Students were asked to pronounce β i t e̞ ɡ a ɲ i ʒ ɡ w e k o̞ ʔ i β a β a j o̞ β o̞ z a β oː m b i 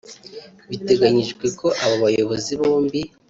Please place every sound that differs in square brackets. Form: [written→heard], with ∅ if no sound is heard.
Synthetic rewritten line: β i t e̞ ɡ a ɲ i ʒ ɡ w e k o̞ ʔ [i→a] β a β a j o̞ β o̞ z [a→i] β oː m b i